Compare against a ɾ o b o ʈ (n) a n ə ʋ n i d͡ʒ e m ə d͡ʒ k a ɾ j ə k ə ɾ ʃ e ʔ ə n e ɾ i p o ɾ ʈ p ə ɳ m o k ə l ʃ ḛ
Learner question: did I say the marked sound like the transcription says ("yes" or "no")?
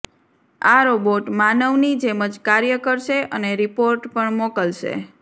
no